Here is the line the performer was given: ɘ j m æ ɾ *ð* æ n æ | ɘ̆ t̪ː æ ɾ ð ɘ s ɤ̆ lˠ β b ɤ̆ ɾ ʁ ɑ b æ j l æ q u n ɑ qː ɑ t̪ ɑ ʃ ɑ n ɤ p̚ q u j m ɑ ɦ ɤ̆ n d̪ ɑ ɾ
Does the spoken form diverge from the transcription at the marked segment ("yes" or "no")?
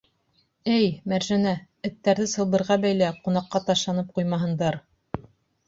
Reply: yes